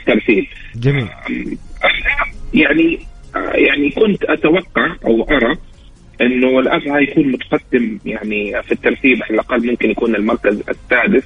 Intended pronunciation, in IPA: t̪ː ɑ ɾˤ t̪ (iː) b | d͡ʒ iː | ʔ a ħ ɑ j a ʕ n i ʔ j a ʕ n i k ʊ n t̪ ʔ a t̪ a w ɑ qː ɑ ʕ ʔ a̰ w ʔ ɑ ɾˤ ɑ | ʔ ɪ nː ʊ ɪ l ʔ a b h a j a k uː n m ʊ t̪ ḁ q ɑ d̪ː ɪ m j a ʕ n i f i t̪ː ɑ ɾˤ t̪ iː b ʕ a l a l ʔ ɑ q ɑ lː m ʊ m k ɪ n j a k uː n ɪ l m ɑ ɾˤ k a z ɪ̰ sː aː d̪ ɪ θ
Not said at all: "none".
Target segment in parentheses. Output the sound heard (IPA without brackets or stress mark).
iː